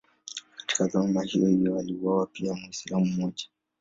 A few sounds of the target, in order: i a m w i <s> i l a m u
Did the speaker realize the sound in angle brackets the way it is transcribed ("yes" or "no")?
yes